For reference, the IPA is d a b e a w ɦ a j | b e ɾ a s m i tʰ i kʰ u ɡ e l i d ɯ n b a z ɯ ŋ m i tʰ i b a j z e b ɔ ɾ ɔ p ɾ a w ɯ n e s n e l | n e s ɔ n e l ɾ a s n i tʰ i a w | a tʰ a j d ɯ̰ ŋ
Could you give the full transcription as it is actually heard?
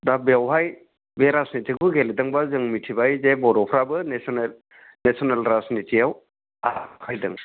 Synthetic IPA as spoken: d a b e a w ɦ a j | b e ɾ a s n i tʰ i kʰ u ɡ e l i d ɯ ŋ b a z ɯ ŋ m i tʰ i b a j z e b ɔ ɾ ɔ pʰ ɾ a b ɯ n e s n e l | n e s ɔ n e l ɾ a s n i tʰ i a w | a kʰ a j d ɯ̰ ŋ

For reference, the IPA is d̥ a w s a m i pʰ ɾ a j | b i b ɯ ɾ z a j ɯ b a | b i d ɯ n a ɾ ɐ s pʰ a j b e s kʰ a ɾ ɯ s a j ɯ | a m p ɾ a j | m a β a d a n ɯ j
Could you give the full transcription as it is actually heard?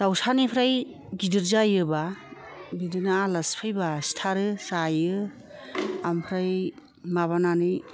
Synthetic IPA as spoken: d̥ a w s a n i pʰ ɾ a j | ɡ i d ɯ ɾ z a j ɯ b a | b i d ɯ n a l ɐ s pʰ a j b a s tʰ a ɾ ɯ s a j ɯ | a m pʰ ɾ a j | m a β a n a n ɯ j

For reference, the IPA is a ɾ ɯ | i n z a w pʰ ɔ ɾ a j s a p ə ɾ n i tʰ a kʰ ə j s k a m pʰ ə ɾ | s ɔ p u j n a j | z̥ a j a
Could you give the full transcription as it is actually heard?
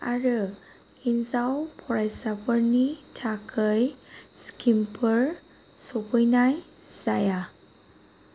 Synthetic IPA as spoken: a ɾ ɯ | i n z a w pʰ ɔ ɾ a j s a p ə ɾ n i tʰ a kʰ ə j s k i m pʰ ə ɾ | s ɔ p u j n a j | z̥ a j a

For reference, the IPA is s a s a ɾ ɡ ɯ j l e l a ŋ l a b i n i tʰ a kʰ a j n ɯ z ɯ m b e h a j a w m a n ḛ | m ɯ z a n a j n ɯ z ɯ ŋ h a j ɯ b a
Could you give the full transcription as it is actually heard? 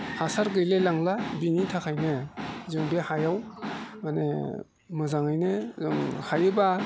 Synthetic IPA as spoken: h a s a ɾ ɡ ɯ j l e l a ŋ l a b i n i tʰ a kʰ a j n ɯ z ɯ ŋ b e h a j a w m a n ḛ | m ɯ z a ŋ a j n ɯ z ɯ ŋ h a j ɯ b a

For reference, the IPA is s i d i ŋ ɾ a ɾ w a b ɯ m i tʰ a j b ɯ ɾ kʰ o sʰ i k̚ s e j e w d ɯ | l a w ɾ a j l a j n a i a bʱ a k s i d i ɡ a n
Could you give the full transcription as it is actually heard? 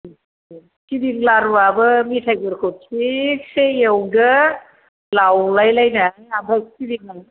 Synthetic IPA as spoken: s i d i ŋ l a ɾ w a b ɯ m i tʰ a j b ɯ ɾ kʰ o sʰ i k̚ s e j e w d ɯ | l a w l a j l a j n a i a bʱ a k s i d i ŋ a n

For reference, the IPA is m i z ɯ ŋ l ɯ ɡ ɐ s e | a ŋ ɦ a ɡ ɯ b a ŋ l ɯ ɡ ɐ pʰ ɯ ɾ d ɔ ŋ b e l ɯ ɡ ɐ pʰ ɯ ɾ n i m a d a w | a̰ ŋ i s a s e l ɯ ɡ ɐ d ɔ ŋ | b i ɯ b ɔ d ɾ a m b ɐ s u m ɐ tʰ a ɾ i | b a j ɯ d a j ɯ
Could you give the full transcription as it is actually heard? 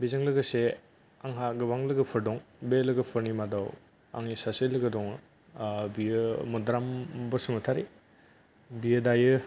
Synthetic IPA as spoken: b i z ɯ ŋ l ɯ ɡ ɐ s e | a ŋ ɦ a ɡ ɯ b a ŋ l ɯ ɡ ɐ pʰ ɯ ɾ d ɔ ŋ b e l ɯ ɡ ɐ pʰ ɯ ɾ n i m a d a w | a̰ ŋ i s a s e l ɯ ɡ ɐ d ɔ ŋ | b i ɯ m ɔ d ɾ a m b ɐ s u m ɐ tʰ a ɾ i | b i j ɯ d a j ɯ

